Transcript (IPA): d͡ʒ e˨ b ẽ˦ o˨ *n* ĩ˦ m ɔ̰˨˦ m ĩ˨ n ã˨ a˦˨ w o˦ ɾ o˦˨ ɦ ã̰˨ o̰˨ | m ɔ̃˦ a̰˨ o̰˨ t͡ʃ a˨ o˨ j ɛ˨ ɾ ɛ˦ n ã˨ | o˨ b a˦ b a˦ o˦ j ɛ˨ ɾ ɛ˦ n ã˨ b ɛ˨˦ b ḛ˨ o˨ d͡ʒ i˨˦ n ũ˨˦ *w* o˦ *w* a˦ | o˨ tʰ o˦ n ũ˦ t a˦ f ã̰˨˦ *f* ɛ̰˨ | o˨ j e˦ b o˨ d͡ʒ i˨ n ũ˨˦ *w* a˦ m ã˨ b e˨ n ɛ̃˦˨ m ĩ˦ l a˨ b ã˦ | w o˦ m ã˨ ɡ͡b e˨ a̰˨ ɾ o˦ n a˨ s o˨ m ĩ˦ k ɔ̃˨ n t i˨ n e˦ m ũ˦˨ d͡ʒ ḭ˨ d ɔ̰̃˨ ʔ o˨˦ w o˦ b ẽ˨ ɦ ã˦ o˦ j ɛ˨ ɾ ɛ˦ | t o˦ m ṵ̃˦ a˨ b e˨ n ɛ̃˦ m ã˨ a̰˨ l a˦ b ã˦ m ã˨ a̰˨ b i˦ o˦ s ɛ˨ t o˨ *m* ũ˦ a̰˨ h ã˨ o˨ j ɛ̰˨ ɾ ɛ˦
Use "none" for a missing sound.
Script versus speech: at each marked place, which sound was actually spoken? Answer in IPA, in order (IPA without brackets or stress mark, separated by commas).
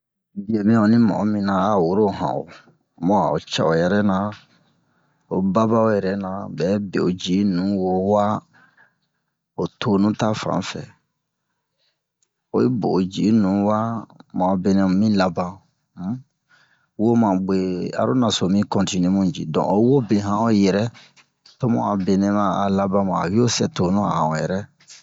n, w, w, f, w, n